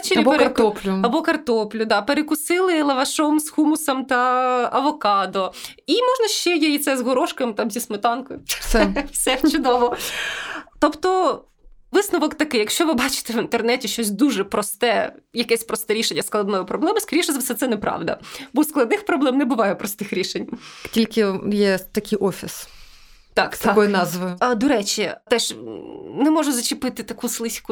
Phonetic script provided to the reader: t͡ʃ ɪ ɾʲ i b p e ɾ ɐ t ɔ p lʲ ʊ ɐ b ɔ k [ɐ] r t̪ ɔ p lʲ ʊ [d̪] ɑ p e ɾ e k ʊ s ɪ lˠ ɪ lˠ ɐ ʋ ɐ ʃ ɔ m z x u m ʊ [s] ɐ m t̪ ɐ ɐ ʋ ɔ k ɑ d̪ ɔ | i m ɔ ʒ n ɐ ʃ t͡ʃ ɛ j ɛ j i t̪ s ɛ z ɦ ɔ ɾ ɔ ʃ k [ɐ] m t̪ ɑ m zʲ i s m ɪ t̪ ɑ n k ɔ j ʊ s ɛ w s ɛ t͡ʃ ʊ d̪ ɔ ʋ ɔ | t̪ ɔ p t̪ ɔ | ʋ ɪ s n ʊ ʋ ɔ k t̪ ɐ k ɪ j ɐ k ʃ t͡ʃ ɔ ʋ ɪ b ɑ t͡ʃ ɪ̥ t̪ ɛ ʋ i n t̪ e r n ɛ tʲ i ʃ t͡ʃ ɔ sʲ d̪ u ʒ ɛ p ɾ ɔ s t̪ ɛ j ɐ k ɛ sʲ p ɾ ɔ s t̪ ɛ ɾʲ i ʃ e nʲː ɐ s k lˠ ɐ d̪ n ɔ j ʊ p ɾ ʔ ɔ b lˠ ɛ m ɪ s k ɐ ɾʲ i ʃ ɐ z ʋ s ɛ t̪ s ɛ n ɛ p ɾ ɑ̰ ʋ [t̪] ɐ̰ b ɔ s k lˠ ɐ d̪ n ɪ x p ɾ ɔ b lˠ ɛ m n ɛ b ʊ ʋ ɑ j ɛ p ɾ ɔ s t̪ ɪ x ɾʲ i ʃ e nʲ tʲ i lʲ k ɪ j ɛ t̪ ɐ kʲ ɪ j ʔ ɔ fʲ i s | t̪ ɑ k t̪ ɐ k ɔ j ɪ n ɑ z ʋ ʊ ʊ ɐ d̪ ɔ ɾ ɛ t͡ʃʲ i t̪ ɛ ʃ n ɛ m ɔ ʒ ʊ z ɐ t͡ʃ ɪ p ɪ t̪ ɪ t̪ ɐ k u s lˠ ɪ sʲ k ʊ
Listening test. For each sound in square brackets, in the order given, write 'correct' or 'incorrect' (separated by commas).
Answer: correct, correct, correct, correct, incorrect